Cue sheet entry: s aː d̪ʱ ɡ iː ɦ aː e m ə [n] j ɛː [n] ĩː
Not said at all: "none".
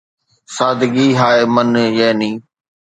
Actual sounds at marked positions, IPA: n, n

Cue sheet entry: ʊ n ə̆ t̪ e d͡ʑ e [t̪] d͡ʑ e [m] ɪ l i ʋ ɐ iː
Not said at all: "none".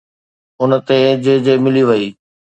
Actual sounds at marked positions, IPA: none, m

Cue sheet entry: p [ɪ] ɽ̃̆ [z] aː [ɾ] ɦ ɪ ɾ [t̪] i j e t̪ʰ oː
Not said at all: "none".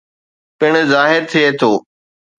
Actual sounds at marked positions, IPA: ɪ, z, none, t̪ʰ

